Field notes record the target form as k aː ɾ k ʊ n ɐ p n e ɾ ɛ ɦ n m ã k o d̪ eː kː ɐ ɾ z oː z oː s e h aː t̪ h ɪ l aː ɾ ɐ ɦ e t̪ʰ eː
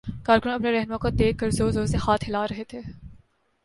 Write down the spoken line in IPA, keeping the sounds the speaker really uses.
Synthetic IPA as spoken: k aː ɾ k ʊ n ɐ p n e ɾ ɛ ɦ n m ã k o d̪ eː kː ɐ ɾ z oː z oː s e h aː t̪ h ɪ l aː ɾ ɐ ɦ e t̪ʰ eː